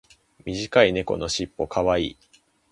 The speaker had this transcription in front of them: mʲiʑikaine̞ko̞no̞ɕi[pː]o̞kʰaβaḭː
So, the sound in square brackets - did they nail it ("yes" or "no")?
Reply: yes